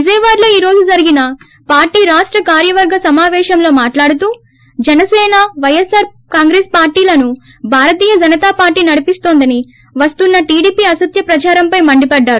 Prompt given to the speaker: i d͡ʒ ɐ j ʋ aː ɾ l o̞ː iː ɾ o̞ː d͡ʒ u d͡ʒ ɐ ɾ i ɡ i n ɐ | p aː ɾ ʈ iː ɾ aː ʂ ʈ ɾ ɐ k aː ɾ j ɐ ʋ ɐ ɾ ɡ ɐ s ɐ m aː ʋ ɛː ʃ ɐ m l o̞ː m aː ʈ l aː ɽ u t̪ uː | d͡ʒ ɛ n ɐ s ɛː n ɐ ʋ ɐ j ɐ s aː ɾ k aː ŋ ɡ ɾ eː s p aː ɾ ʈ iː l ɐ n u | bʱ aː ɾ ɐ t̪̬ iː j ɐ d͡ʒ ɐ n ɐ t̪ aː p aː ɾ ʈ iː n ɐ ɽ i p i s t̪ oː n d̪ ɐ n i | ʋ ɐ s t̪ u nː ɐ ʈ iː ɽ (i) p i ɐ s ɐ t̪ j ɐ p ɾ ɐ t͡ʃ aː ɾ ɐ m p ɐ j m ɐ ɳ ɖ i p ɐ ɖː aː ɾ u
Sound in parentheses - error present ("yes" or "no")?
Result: yes